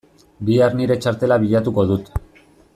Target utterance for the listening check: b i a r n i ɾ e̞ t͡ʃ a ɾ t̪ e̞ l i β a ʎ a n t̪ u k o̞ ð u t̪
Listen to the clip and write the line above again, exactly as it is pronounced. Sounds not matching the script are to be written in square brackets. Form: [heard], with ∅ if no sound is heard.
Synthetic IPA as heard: b i a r n i ɾ e̞ t͡ʃ a ɾ t̪ e̞ l [a] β [i] ʎ a [∅] t̪ u k o̞ ð u t̪

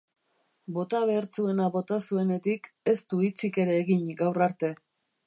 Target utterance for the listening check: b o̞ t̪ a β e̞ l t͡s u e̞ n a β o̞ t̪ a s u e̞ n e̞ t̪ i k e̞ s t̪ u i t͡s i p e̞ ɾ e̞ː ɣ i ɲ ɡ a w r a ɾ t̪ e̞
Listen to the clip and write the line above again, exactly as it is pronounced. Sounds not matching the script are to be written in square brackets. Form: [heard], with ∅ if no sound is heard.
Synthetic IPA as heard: b o̞ t̪ a β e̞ [ɾ] t͡s u e̞ n a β o̞ t̪ a s u e̞ n e̞ t̪ i k e̞ s t̪ u i t͡s i [k] e̞ ɾ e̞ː ɣ i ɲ ɡ a w r a ɾ t̪ e̞

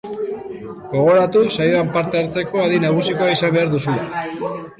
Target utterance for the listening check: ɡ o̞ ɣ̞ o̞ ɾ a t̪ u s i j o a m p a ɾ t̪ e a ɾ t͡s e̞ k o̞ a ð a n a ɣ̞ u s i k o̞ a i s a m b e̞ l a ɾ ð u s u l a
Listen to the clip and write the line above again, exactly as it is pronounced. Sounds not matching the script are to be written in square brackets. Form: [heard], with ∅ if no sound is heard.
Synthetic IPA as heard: ɡ o̞ ɣ̞ o̞ ɾ a t̪ u s [a] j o a m p a ɾ t̪ e a ɾ t͡s e̞ k o̞ a ð [i] n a ɣ̞ u s i k o̞ a i s a m b e̞ [∅] a ɾ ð u s u l a

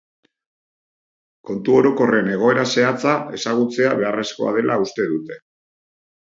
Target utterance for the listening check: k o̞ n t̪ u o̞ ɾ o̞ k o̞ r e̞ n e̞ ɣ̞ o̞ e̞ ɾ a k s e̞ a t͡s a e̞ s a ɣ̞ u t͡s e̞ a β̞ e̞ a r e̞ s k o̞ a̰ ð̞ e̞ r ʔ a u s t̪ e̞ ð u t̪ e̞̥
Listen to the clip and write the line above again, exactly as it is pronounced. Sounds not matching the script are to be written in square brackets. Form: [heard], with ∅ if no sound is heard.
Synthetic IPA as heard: k o̞ n t̪ u o̞ ɾ o̞ k o̞ r e̞ n e̞ ɣ̞ o̞ e̞ ɾ a [∅] s e̞ a t͡s a e̞ s a ɣ̞ u t͡s e̞ a β̞ e̞ a r e̞ s k o̞ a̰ ð̞ e̞ [l] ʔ a u s t̪ e̞ ð u t̪ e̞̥

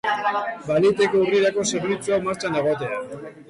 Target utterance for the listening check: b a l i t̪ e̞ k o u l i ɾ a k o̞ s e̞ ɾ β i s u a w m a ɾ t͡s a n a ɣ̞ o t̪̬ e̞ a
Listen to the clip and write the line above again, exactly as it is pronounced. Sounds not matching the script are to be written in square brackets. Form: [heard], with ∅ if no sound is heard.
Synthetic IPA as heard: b a l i t̪ e̞ k o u [r] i ɾ a k o̞ s e̞ ɾ β i [t͡s] u a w m a ɾ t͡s a n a ɣ̞ o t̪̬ e̞ a

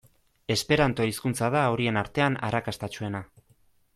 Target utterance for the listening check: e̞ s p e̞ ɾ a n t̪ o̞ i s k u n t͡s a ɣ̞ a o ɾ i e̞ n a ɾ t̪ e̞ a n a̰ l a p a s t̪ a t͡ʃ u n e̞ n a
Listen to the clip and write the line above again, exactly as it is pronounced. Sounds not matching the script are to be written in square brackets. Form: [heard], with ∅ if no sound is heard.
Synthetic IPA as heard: e̞ s p e̞ ɾ a n t̪ o̞ i s k u n t͡s a [ð̞] a o ɾ i e̞ n a ɾ t̪ e̞ a n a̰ [ɾ] a [k] a s t̪ a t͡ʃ u [∅] e̞ n a

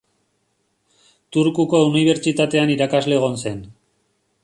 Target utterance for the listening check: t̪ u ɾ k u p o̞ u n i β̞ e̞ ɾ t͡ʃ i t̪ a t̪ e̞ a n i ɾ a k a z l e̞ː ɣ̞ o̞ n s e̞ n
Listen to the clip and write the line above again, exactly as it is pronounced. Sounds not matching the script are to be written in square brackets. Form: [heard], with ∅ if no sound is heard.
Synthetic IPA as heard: t̪ u ɾ k u [k] o̞ u n i β̞ e̞ ɾ t͡ʃ i t̪ a t̪ e̞ a n i ɾ a k a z l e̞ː ɣ̞ o̞ n s e̞ n

